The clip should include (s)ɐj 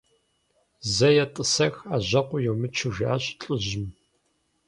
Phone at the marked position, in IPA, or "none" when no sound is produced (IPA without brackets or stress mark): z